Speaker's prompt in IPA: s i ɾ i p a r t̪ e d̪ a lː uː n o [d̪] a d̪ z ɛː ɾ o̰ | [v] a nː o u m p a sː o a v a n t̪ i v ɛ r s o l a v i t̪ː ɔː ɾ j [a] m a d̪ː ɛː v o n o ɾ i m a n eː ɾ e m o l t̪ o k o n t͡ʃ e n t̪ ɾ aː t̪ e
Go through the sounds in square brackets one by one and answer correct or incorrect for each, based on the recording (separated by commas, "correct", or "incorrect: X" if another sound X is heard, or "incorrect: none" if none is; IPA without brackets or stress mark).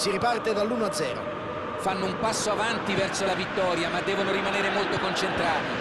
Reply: incorrect: none, incorrect: f, correct